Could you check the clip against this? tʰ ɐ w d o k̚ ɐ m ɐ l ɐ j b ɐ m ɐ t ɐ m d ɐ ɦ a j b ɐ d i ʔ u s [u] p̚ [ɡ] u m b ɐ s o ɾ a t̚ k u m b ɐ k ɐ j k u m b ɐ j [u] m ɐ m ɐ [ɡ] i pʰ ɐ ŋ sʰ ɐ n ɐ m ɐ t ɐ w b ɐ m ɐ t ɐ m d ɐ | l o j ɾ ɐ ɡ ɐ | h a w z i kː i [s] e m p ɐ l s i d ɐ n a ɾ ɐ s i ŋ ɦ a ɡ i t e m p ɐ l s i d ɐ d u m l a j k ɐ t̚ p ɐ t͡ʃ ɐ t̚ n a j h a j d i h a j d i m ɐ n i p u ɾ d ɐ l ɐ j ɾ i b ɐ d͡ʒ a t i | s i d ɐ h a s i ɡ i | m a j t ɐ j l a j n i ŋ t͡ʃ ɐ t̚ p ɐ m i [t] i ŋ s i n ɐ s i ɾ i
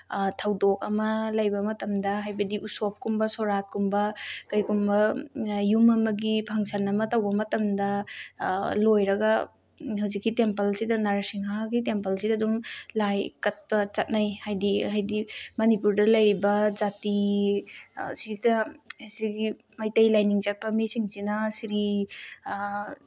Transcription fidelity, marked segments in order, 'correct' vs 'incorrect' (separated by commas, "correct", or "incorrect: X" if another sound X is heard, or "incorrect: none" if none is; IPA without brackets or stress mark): incorrect: o, incorrect: k, correct, correct, incorrect: t, incorrect: s